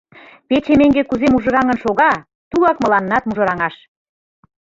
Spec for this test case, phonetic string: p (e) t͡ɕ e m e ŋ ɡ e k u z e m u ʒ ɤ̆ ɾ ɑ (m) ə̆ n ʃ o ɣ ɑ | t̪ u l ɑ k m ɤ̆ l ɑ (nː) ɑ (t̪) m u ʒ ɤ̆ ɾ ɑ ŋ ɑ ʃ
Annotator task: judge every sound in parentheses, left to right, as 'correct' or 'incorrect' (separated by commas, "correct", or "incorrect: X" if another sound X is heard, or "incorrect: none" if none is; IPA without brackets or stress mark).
correct, incorrect: ŋ, correct, correct